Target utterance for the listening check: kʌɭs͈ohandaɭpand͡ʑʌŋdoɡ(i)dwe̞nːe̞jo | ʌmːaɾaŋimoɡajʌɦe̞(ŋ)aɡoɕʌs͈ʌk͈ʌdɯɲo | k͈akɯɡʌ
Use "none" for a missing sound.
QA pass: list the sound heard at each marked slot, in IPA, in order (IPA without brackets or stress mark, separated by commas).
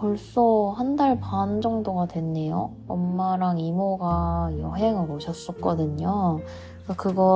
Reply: a, ŋ